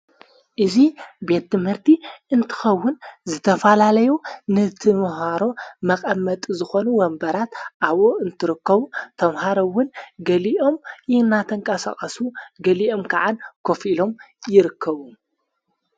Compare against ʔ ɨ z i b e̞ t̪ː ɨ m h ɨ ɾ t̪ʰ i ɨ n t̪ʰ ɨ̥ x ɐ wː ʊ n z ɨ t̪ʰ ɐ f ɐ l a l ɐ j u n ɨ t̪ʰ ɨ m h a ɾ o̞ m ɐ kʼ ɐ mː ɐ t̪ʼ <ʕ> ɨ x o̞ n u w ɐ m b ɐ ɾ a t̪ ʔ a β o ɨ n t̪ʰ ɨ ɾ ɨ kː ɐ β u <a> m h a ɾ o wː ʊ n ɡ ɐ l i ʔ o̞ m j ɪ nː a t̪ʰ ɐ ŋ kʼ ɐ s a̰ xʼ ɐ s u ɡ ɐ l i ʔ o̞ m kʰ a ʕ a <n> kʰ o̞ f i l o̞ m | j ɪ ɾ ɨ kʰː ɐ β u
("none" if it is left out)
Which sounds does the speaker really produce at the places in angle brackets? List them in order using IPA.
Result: z, ɐ, n

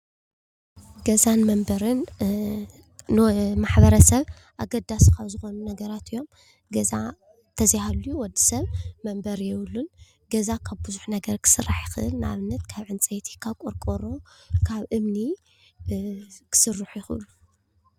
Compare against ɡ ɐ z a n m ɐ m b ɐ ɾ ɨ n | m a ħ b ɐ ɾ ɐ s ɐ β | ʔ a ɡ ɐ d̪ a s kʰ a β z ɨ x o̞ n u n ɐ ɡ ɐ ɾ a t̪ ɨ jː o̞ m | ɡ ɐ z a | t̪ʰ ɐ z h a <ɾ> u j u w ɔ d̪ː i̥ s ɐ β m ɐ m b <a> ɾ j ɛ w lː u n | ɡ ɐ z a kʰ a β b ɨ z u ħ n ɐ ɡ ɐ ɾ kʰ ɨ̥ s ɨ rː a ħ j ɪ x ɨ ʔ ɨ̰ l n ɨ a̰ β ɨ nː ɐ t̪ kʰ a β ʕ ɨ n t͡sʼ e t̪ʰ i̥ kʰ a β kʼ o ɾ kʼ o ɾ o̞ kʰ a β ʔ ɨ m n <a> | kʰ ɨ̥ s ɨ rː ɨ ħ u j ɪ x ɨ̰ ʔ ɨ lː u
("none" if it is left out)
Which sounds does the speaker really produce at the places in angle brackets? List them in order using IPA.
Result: l, ɐ, i

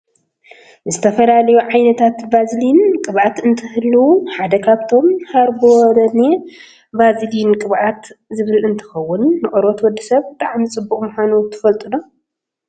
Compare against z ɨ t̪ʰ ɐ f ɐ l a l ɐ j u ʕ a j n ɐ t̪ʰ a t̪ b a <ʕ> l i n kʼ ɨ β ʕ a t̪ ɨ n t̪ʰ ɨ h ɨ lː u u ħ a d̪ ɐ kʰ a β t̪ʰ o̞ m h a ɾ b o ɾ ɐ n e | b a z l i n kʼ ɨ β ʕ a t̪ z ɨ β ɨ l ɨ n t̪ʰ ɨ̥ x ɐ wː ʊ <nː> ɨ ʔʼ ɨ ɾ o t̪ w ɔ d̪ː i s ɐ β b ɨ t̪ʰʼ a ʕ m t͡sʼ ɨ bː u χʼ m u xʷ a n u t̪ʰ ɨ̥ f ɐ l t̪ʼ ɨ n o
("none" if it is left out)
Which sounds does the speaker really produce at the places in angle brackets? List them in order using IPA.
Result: z, nː

